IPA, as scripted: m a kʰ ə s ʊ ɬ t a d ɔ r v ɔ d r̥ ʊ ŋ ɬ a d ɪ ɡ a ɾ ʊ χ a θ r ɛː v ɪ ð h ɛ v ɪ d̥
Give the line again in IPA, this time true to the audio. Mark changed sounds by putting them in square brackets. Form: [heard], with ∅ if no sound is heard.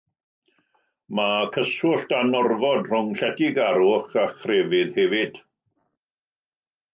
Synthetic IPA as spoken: m a kʰ ə s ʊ ɬ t a [n] ɔ r v ɔ d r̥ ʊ ŋ ɬ [ɛ] d ɪ ɡ a ɾ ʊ χ a [χ] r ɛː v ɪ ð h ɛ v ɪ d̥

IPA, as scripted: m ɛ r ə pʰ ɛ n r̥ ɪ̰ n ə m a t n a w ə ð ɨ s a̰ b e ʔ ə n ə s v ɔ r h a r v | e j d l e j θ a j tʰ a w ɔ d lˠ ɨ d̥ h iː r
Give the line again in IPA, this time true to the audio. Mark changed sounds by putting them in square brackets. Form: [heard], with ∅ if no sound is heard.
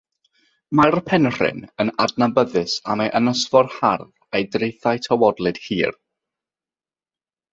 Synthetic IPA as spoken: m [a] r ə pʰ ɛ n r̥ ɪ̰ n ə [n] a [d] n a [b] ə ð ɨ s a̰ [m] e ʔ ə n ə s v ɔ r h a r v | e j d [r] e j θ a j tʰ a w ɔ d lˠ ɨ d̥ h iː r

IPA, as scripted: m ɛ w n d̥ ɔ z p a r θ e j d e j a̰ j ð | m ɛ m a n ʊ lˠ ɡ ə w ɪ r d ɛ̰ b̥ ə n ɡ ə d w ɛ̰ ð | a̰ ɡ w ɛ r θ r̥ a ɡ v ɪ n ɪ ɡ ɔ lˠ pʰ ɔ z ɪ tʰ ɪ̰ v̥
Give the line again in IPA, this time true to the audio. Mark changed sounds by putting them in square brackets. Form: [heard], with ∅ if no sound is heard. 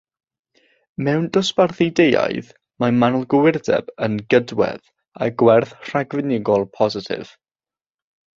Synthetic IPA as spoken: m ɛ w n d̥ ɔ [s] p a r θ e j d e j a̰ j ð | m [a] m a n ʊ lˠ ɡ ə w ɪ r d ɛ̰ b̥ ə n ɡ ə d w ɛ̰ ð | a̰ ɡ w ɛ r θ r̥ a ɡ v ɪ n ɪ ɡ ɔ lˠ pʰ ɔ z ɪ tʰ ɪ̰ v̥

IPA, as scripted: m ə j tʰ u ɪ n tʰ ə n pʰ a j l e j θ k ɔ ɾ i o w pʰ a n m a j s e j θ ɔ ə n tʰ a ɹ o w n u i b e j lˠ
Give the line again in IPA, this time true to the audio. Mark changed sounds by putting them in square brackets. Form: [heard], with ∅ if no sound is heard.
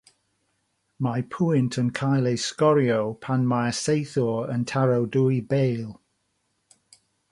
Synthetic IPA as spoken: m [a] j [pʰ] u ɪ n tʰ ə n [kʰ] a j l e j [s] k ɔ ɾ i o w pʰ a n m a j s e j θ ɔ ə n tʰ a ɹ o w [d] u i b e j lˠ

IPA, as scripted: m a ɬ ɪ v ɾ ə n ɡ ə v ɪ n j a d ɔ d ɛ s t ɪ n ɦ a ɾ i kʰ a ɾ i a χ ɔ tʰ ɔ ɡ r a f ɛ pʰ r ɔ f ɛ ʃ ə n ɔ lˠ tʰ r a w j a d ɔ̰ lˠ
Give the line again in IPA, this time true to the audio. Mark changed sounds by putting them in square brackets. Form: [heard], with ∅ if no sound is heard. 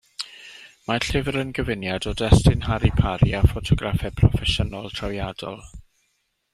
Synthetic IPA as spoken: m a ɬ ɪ v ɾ ə n ɡ ə v ɪ n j a d ɔ d ɛ s t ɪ n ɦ a ɾ i [pʰ] a ɾ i a [f] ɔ tʰ ɔ ɡ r a f ɛ pʰ r ɔ f ɛ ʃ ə n ɔ lˠ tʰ r a w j a d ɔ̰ lˠ

